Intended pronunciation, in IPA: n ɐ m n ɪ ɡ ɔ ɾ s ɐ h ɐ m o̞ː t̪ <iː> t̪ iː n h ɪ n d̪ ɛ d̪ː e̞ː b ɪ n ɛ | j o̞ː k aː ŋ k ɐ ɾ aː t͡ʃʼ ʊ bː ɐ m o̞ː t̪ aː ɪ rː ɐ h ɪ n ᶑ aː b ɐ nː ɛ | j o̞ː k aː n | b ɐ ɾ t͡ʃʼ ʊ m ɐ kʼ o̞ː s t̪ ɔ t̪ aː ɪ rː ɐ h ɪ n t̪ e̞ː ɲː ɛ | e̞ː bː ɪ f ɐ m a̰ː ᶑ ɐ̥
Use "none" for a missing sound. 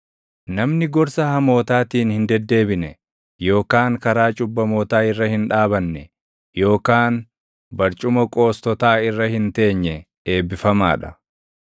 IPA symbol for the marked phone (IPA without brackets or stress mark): aː